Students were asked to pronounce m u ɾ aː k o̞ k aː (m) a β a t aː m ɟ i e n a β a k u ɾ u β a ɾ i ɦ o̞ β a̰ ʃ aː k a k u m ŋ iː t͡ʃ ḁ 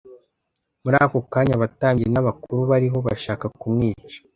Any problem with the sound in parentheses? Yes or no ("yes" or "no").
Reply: yes